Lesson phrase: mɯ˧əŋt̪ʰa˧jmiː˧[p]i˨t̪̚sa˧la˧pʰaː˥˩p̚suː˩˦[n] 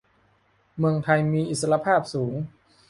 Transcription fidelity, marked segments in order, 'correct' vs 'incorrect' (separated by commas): incorrect, incorrect